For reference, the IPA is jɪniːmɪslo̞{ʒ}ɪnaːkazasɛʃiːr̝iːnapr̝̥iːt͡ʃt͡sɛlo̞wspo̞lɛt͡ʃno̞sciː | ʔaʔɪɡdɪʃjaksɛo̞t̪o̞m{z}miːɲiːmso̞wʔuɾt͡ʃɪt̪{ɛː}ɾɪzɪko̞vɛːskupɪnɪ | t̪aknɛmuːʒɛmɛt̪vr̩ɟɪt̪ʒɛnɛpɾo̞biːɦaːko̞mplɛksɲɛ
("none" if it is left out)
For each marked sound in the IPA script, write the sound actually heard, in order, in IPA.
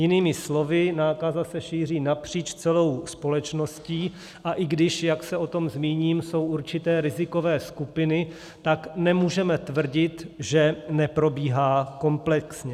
v, z, ɛː

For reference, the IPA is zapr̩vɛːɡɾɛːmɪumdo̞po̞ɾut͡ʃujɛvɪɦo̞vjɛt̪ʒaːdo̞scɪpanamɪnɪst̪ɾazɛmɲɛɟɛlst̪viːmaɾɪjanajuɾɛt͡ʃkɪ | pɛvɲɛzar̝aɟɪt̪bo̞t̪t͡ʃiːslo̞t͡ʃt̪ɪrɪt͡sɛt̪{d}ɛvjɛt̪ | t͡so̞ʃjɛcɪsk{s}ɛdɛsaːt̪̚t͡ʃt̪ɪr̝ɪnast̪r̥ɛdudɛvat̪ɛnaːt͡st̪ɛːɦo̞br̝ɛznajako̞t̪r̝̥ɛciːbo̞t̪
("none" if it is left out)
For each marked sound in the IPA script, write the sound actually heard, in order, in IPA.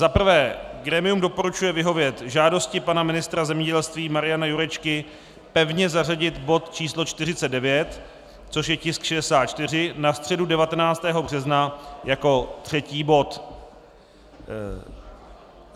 d, ʃ

